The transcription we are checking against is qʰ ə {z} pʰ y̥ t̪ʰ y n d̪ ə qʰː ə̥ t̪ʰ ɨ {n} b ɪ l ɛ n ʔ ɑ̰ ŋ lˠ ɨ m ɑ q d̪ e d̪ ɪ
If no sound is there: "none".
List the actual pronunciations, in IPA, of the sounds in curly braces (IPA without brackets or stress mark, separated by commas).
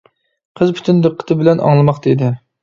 z, none